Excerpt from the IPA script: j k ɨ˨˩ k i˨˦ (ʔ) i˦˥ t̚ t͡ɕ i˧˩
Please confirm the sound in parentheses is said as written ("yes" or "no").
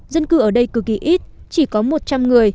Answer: yes